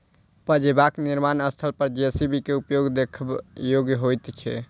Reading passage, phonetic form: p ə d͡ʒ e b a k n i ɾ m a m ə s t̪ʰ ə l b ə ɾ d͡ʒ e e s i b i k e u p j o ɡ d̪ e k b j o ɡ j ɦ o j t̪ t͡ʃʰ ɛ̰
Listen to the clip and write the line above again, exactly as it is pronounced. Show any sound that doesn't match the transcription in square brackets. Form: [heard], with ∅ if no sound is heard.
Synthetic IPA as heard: p ə d͡ʒ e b a k n i ɾ m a [n] ə s t̪ʰ ə l [p] ə ɾ d͡ʒ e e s i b i k e u p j o ɡ d̪ e [kʰ] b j o ɡ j ɦ o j t̪ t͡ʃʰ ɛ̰